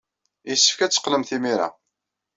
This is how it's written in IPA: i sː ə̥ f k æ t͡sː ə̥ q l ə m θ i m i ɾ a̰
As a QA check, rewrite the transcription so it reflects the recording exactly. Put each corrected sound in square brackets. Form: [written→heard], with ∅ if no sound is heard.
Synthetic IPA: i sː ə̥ f k æ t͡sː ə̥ q l ə m θ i m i ɾ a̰